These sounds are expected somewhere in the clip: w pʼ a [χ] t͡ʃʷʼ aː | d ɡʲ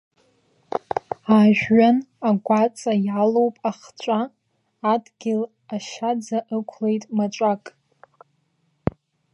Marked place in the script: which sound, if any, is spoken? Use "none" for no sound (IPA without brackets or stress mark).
χ